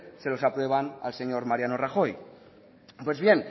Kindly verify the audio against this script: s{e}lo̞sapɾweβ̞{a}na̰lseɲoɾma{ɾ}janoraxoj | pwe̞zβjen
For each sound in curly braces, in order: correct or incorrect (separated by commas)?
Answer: correct, correct, correct